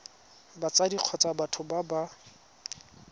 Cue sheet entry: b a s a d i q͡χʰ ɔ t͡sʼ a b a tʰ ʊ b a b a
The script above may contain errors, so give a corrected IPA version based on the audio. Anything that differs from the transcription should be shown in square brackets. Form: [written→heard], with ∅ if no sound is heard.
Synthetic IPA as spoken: b a [s→t͡s] a d i q͡χʰ ɔ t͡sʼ a b a tʰ ʊ b a b a